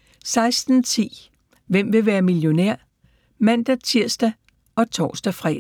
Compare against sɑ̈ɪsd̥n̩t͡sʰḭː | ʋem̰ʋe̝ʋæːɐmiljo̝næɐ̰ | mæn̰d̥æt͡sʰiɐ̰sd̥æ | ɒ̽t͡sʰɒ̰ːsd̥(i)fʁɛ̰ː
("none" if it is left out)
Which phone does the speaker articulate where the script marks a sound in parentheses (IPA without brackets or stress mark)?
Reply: æ